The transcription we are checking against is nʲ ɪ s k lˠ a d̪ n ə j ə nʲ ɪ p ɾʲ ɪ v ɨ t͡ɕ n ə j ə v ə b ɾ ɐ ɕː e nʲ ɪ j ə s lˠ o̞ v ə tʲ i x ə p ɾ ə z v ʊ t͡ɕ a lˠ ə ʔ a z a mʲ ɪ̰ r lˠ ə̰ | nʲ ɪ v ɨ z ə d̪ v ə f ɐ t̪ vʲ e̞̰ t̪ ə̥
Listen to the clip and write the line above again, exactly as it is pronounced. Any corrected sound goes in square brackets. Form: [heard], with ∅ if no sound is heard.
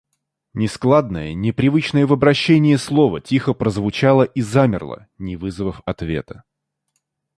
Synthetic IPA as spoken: nʲ ɪ s k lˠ a d̪ n ə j ə nʲ ɪ p ɾʲ ɪ v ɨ t͡ɕ n ə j ə v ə b ɾ ɐ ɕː e nʲ ɪ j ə s lˠ o̞ v ə tʲ i x ə p ɾ ə z v ʊ t͡ɕ a lˠ ə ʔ [i] z a mʲ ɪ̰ r lˠ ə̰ | nʲ ɪ v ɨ z ə [∅] v ə f ɐ t̪ vʲ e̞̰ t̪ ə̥